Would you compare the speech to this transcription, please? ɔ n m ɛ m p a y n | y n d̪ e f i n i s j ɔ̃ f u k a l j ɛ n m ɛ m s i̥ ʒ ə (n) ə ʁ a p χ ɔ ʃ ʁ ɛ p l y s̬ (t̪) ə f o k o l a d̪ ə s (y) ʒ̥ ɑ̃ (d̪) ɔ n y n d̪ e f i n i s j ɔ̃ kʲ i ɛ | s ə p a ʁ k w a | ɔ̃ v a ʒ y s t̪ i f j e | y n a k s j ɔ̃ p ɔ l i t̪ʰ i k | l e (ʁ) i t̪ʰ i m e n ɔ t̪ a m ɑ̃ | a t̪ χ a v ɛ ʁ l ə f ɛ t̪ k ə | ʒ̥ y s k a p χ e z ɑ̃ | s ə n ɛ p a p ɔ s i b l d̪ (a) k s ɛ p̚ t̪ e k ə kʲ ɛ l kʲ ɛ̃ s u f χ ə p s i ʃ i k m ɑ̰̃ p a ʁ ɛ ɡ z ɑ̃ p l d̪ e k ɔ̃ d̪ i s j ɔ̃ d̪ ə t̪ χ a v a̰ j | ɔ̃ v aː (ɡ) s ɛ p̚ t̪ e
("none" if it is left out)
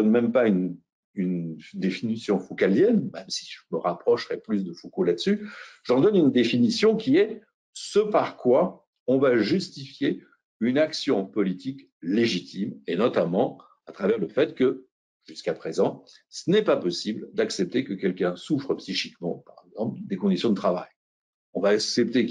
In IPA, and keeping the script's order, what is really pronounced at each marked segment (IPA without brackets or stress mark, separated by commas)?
m, d̪, y, d̪, ʒ, a, k